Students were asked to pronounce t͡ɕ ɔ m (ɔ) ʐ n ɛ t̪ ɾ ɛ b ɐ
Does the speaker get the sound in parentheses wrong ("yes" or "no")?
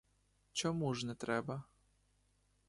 yes